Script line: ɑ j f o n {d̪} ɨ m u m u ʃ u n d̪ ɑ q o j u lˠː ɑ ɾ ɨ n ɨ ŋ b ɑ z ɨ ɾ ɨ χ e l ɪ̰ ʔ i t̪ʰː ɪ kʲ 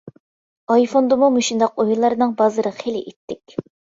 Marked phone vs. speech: correct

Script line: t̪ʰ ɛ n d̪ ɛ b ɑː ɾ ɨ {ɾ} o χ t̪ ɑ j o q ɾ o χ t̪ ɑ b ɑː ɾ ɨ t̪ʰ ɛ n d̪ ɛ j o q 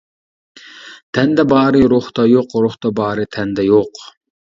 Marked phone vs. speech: correct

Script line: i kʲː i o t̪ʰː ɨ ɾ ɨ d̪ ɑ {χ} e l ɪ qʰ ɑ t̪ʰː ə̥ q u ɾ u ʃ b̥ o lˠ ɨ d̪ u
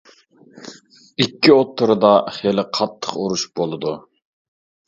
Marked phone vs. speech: correct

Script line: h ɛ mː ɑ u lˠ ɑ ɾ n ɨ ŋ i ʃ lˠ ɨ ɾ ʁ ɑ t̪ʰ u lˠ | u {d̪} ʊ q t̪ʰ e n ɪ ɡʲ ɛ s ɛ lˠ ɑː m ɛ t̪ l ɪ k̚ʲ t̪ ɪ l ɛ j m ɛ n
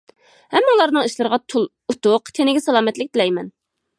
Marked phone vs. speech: incorrect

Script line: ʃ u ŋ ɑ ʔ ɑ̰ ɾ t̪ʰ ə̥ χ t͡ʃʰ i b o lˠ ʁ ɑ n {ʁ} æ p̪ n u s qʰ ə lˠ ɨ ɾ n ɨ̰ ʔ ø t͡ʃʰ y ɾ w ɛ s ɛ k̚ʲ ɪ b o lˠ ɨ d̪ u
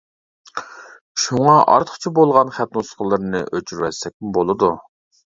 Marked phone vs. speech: incorrect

